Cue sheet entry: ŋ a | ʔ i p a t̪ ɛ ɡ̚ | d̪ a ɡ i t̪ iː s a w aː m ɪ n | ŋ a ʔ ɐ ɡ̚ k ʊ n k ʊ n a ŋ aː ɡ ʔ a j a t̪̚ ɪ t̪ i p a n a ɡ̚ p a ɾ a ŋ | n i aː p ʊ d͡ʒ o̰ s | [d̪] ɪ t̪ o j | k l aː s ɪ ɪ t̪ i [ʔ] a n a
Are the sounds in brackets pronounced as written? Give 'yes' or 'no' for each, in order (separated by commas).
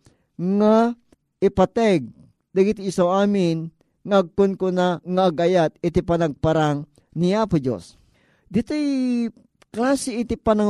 yes, no